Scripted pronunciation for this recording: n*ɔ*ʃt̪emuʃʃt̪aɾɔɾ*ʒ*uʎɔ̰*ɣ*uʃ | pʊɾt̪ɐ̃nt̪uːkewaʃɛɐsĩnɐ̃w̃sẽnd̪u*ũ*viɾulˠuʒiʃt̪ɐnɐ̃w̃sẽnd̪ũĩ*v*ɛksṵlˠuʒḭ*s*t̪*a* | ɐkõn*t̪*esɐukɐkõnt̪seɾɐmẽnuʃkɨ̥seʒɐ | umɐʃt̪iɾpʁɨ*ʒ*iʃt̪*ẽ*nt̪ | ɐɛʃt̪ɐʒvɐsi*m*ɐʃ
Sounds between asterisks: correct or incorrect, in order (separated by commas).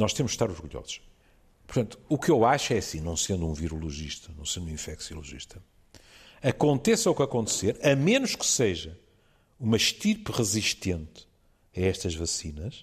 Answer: correct, incorrect, incorrect, correct, incorrect, incorrect, incorrect, correct, incorrect, correct, incorrect